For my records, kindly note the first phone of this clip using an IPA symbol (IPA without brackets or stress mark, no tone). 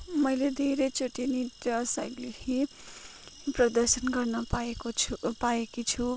m